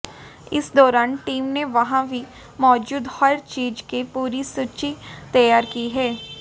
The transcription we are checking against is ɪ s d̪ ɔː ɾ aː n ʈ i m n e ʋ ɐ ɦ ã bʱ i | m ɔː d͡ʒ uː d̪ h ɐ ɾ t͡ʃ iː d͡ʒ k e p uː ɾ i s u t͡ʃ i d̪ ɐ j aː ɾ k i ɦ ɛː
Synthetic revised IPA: ɪ s d̪ ɔː ɾ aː n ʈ iː m n e ʋ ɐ ɦ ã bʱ i | m ɔː d͡ʒ uː d̪ h ɐ ɾ t͡ʃ iː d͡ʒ k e p uː ɾ i s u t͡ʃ i t̪ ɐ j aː ɾ k i ɦ ɛː